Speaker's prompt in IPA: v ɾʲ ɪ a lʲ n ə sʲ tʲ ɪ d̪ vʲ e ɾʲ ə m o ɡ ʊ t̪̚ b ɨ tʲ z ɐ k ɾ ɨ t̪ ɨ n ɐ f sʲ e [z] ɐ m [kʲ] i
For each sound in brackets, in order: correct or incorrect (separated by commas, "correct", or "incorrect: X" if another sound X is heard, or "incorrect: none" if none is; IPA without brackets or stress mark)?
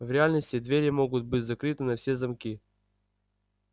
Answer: correct, correct